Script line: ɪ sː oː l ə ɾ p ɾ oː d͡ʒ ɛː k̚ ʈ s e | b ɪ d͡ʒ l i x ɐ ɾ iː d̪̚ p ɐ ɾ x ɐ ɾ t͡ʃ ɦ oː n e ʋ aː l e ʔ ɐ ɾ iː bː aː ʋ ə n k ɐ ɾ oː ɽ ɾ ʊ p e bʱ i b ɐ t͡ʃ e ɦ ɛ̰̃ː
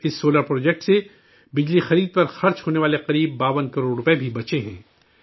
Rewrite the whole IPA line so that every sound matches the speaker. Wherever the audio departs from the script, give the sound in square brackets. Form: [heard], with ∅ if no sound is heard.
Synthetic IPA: ɪ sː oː l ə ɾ p ɾ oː d͡ʒ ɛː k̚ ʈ s e | b ɪ d͡ʒ l i x ɐ ɾ iː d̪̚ p ɐ ɾ x ɐ ɾ t͡ʃ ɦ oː n e ʋ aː l e [q] ɐ ɾ iː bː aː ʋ ə n k ɐ ɾ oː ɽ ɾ ʊ p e bʱ i b ɐ t͡ʃ e ɦ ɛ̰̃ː